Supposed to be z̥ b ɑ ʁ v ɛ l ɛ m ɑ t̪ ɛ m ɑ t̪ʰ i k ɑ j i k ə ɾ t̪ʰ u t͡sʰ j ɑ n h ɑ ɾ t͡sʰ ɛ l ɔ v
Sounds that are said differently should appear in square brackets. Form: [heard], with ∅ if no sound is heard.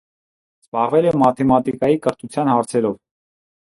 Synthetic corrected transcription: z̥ b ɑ ʁ v ɛ l ɛ m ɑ [t̪ʰ] ɛ m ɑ [t̪] i k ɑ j i k ə ɾ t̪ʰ u t͡sʰ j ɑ n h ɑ ɾ t͡sʰ ɛ [ɾ] ɔ v